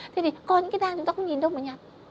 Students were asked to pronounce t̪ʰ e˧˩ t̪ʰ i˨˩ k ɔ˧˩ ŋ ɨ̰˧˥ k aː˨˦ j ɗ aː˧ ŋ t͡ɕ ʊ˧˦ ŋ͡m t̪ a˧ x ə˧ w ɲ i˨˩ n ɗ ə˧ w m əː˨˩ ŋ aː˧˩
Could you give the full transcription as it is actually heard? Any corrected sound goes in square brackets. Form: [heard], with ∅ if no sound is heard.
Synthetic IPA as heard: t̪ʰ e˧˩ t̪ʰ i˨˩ k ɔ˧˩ [ɲ] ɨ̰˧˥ k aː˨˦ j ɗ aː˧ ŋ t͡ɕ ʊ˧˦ ŋ͡m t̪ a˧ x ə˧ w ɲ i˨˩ n ɗ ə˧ w m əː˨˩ [ɲ] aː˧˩